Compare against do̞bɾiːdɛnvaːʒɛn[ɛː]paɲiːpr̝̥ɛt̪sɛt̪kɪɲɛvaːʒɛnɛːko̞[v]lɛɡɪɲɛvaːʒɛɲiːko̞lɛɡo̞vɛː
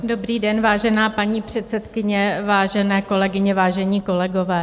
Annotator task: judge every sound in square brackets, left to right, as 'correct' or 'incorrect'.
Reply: incorrect, incorrect

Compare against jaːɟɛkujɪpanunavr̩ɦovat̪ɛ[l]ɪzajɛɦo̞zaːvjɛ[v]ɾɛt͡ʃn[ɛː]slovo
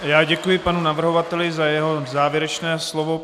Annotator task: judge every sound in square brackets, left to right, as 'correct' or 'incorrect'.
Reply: correct, incorrect, correct

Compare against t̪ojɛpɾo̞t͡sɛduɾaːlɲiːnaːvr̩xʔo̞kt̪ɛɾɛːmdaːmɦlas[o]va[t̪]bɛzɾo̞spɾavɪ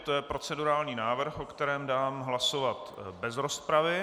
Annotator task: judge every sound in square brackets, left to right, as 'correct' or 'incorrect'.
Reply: correct, correct

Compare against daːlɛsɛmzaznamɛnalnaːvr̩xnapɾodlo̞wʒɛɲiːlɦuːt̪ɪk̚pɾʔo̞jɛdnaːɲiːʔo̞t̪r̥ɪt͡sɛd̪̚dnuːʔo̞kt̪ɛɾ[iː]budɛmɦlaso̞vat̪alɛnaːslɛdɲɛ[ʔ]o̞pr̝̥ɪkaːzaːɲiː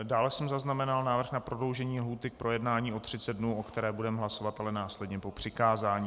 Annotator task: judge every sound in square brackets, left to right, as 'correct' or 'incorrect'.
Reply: incorrect, incorrect

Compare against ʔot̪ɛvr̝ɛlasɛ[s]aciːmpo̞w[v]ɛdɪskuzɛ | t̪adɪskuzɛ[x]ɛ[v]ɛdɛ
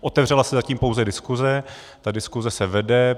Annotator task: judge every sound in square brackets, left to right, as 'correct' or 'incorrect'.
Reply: incorrect, incorrect, incorrect, correct

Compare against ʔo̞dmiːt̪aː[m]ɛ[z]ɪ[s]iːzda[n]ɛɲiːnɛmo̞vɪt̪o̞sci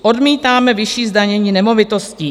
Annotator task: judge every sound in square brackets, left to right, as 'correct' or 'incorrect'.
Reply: correct, incorrect, incorrect, incorrect

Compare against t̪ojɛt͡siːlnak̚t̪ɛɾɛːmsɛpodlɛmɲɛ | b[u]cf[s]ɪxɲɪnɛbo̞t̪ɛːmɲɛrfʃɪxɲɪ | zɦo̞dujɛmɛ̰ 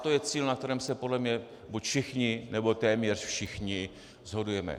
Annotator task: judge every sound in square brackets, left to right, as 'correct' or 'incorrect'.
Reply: correct, incorrect

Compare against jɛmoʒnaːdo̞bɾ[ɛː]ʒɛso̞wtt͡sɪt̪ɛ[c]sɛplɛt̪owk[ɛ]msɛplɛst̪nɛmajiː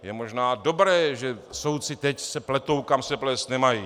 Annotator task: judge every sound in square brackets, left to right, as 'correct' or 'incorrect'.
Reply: correct, correct, incorrect

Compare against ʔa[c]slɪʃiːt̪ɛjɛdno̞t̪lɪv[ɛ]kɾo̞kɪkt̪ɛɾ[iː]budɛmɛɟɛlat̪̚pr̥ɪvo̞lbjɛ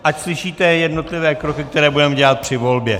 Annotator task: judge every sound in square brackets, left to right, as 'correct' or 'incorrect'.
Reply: correct, incorrect, incorrect

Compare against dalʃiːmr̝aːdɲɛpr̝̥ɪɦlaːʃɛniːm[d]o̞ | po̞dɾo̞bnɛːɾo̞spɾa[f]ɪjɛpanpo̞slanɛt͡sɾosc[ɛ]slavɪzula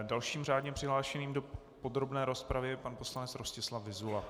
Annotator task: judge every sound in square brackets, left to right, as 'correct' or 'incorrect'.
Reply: correct, incorrect, correct

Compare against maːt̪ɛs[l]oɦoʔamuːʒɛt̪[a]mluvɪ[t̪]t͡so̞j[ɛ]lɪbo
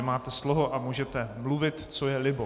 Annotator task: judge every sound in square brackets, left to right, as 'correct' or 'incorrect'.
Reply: correct, incorrect, correct, correct

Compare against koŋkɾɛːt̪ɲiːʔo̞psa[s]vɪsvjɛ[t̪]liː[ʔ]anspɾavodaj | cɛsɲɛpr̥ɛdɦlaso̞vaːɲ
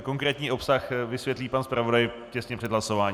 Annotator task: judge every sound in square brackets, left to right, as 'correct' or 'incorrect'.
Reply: incorrect, correct, incorrect

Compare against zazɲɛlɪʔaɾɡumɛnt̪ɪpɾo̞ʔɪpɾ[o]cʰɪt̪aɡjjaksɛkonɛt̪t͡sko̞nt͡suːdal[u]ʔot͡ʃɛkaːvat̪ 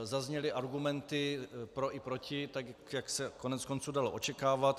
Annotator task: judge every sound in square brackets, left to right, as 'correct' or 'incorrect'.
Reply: correct, incorrect

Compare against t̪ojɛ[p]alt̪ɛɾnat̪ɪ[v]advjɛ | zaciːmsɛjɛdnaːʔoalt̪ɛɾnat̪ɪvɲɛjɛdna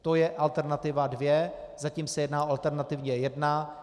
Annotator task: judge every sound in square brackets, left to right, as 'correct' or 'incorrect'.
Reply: incorrect, correct

